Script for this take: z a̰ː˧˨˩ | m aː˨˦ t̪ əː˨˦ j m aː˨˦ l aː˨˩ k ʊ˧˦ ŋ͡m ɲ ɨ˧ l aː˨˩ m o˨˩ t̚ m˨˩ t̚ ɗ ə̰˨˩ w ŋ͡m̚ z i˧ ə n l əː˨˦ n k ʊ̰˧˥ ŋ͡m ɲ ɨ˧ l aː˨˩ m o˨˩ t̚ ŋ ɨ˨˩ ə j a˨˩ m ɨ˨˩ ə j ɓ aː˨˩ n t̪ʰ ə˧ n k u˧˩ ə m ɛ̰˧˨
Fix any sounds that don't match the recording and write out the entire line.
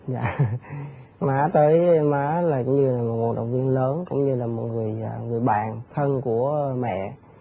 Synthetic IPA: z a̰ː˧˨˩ | m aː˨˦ t̪ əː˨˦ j m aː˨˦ l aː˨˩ k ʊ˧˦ ŋ͡m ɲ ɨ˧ l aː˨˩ m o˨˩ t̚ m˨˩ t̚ ɗ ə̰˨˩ w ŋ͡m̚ v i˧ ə n l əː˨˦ n k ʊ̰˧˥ ŋ͡m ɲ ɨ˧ l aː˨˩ m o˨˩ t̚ ŋ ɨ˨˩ ə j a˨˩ ŋ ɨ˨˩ ə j ɓ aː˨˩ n t̪ʰ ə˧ n k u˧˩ ə m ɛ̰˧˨